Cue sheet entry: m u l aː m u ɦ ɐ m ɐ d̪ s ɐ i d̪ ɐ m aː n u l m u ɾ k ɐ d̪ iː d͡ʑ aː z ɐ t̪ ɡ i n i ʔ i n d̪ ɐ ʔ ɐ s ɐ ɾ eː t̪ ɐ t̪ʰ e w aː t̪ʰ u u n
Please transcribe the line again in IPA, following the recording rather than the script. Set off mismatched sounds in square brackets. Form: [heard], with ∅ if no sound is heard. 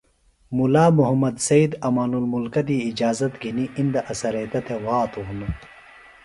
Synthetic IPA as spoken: m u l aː m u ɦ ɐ m ɐ d̪ s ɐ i d̪ ɐ m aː n u l m u [l] k ɐ d̪ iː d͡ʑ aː z ɐ t̪ ɡ i n i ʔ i n d̪ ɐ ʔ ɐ s ɐ ɾ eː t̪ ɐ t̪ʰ e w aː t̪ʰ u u n